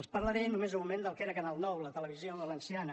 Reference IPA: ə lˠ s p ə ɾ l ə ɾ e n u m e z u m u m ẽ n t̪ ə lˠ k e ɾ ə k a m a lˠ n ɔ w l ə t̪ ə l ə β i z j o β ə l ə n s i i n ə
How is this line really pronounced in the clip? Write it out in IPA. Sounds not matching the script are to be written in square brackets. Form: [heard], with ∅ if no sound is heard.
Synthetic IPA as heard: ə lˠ s p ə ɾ l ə ɾ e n u m e z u m u m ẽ n [d̪] ə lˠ k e ɾ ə k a [n] a lˠ n ɔ w l ə t̪ ə l ə β i z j o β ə l ə n s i [a] n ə